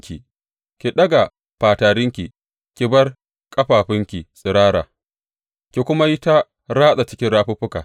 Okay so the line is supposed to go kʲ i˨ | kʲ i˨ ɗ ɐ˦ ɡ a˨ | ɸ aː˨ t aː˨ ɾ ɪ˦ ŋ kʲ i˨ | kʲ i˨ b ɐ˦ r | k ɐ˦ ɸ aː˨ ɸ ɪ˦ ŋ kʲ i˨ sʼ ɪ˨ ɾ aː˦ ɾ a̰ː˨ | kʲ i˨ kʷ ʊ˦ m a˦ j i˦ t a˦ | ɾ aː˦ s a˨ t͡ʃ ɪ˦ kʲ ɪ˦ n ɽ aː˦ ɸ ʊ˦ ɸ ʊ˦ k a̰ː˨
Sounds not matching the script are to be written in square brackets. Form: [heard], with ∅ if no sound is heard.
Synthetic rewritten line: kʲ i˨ | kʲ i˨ ɗ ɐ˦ ɡ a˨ | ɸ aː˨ t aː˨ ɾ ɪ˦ ŋ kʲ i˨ | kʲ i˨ b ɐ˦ r | [kʼ] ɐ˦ ɸ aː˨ ɸ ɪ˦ ŋ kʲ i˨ sʼ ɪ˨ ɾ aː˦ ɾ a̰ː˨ | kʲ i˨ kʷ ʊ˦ m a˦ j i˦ t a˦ | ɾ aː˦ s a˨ t͡ʃ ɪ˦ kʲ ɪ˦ n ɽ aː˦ ɸ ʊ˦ ɸ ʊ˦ k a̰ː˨